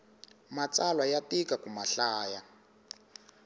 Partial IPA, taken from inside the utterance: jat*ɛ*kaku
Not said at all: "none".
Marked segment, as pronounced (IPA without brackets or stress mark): i